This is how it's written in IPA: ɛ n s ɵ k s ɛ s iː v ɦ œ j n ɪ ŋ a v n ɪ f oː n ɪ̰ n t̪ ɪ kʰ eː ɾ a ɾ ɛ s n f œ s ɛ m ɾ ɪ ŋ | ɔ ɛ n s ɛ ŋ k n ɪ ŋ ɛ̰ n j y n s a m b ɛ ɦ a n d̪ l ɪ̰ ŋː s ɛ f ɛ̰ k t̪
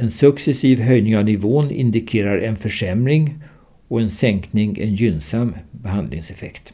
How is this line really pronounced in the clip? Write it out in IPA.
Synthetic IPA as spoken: ɛ n s ɵ k s ɛ s iː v ɦ œ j n ɪ ŋ a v n ɪ v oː n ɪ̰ n d̪ ɪ kʰ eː ɾ a ɾ ɛ n f œ ʂ ɛ m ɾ ɪ ŋ | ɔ ɛ n s ɛ ŋ k n ɪ ŋ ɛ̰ n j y n s a m b ɛ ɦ a n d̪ l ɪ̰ ŋ s ɛ f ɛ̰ k t̪